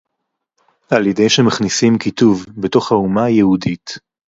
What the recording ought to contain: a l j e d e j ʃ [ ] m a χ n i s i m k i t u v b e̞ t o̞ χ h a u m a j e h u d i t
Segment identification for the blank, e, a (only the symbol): e